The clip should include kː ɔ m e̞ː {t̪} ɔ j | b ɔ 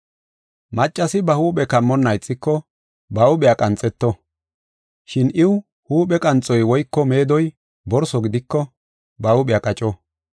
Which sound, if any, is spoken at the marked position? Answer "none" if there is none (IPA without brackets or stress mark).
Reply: d̪